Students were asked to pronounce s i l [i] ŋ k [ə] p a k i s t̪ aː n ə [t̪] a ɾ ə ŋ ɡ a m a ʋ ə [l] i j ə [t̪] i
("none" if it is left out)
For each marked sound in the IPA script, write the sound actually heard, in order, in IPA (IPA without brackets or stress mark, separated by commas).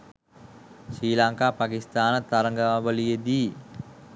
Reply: a, a, t̪, l, d̪